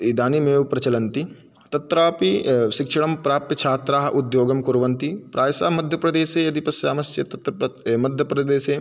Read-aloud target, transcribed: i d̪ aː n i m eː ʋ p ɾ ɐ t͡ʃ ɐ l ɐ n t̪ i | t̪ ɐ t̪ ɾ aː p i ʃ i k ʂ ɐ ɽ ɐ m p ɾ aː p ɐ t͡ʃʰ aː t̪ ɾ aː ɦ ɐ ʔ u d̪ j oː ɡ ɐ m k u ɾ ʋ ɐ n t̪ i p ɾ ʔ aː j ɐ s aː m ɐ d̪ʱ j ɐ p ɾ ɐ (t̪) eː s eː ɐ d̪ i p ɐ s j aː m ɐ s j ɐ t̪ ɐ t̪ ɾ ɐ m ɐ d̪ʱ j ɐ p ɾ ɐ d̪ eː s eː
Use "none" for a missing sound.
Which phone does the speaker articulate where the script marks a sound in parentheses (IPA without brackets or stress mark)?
d̪